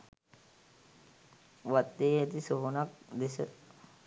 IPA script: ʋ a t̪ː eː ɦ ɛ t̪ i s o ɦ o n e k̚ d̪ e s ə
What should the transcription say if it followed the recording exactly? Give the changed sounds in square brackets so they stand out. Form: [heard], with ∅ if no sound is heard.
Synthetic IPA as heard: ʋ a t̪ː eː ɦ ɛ t̪ i s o ɦ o n [a] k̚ d̪ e s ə